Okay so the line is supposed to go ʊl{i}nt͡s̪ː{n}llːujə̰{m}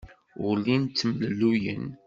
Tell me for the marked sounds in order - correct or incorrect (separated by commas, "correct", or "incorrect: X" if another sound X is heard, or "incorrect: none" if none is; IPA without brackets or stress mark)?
correct, incorrect: m, incorrect: n